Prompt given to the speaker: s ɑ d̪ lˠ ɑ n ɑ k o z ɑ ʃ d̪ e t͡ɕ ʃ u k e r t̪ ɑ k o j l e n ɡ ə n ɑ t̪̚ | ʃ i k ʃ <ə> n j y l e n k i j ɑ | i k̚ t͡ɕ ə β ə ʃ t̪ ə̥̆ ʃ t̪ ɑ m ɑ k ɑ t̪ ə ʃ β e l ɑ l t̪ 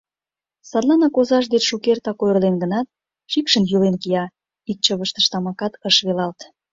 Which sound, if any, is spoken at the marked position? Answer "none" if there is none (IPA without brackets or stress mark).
ə